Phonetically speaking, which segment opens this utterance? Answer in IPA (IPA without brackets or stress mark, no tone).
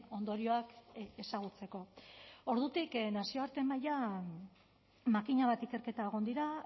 o̞